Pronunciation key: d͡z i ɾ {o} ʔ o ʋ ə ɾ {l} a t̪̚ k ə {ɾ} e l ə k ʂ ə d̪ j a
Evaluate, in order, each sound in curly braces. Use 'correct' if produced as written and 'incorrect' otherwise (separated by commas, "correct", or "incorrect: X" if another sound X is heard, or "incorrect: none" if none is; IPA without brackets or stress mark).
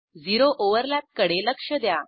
correct, correct, incorrect: ɽ